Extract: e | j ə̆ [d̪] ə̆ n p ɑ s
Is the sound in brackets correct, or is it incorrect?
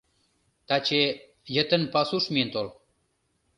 incorrect